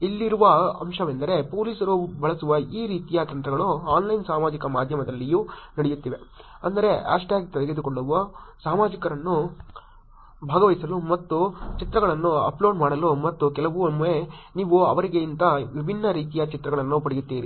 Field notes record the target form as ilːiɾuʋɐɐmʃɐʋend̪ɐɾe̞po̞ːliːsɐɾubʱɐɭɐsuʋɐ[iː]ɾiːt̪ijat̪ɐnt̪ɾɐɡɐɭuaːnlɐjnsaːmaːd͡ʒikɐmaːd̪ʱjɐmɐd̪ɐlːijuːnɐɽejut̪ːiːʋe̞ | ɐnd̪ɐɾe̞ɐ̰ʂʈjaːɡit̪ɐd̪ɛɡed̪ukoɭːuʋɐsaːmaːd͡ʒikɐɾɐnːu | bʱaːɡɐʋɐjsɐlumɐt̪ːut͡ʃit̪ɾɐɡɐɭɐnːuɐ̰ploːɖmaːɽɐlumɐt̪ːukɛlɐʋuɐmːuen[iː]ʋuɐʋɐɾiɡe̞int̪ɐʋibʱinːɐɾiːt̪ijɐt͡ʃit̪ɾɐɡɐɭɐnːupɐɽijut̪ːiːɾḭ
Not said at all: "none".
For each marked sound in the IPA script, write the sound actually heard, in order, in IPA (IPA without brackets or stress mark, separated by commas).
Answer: iː, iː